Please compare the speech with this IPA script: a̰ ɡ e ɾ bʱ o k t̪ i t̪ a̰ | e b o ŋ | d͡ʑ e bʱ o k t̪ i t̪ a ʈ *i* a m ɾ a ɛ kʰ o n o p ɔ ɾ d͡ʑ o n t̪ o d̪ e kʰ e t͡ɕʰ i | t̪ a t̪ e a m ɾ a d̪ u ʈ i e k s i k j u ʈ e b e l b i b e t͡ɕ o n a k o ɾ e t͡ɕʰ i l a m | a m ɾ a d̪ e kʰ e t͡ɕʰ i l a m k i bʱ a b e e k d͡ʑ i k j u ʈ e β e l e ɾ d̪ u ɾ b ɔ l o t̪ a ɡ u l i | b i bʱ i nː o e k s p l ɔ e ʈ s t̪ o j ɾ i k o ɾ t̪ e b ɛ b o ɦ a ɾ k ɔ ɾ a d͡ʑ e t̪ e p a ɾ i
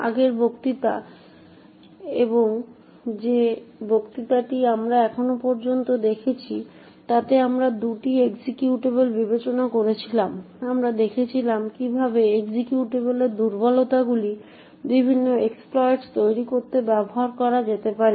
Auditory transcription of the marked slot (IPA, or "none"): i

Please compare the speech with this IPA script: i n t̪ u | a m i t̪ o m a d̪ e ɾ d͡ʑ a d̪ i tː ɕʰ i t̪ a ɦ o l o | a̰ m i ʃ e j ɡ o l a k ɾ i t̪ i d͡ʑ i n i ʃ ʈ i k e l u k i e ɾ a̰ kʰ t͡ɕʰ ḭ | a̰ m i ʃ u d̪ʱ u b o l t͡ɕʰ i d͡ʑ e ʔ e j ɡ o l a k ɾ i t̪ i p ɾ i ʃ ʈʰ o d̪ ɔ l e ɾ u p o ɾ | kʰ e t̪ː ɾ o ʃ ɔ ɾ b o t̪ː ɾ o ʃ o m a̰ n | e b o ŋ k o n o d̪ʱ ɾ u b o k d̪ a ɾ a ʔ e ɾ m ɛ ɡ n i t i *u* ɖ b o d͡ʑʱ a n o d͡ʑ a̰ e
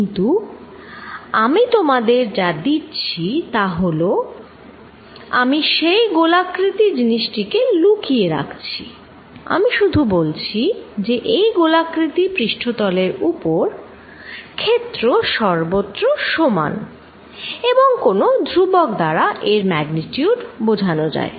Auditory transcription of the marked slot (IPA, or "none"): u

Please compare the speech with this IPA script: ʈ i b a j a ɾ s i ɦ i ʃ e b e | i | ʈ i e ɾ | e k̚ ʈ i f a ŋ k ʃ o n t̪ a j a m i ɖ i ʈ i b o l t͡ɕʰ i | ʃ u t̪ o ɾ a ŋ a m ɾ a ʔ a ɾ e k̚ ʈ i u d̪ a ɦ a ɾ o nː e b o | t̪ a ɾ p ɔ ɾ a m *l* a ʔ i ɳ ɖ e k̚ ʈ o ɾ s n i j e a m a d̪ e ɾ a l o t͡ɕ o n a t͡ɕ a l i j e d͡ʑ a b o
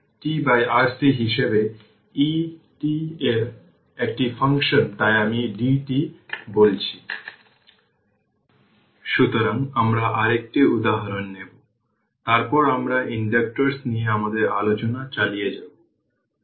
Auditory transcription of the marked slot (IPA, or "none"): ɾ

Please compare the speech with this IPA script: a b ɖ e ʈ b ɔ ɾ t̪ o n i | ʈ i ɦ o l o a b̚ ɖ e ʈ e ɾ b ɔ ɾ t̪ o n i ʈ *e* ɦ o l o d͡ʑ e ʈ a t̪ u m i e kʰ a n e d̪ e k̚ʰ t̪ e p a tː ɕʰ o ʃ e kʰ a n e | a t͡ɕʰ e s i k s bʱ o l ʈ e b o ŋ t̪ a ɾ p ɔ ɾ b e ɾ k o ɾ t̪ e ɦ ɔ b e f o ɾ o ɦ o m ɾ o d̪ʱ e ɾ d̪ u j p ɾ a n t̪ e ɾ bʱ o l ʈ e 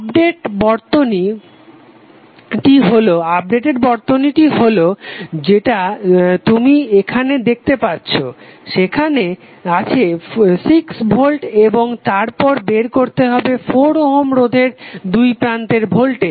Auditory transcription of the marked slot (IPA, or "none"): i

